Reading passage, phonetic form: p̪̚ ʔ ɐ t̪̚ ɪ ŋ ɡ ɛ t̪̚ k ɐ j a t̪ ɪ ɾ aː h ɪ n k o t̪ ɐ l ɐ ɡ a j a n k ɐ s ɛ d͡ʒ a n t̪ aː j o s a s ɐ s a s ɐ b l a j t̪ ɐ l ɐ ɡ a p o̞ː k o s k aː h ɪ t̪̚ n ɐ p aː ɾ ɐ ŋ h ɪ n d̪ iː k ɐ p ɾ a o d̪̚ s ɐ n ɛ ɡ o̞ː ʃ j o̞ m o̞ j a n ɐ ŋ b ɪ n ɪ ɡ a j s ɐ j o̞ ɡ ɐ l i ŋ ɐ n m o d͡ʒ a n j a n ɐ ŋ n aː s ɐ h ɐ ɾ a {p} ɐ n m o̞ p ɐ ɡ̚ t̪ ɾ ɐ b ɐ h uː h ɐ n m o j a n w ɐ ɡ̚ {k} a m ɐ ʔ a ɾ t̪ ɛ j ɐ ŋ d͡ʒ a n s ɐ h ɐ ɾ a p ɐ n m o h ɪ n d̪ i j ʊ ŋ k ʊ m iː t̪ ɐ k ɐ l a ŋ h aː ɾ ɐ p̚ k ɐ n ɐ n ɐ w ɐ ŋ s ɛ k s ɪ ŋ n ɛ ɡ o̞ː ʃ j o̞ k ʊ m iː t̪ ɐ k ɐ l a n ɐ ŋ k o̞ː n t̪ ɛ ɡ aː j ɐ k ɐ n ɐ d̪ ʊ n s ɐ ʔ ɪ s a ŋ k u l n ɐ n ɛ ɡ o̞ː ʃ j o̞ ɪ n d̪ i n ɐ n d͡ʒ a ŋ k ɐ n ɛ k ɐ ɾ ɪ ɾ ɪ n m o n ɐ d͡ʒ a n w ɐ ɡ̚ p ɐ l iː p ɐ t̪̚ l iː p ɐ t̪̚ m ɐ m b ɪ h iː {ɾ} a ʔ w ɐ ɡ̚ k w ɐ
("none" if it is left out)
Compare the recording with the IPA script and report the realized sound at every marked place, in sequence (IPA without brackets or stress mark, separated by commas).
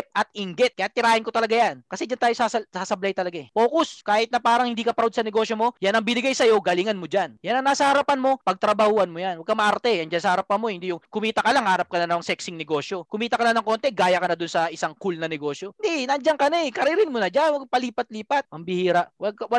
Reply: p, k, ɾ